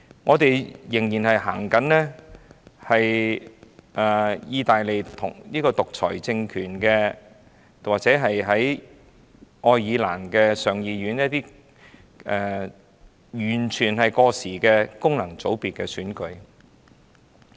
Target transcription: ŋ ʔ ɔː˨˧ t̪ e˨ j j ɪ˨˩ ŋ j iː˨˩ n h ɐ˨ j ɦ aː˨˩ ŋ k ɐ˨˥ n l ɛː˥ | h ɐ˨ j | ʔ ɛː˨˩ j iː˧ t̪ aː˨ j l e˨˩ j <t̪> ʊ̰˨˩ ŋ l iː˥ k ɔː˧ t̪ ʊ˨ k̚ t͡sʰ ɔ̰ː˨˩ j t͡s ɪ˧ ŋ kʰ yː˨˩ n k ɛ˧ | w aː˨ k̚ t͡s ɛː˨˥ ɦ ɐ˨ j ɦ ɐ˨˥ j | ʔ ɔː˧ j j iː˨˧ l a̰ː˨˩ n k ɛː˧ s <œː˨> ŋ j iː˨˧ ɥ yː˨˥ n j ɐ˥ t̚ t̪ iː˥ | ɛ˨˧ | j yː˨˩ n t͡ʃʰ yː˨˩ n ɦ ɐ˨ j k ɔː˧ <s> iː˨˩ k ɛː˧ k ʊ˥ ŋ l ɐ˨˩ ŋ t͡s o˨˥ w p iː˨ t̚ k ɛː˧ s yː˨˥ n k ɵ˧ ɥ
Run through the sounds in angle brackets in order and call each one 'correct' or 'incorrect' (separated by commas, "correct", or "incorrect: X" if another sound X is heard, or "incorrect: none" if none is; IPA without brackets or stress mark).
incorrect: t̪ʰ, correct, correct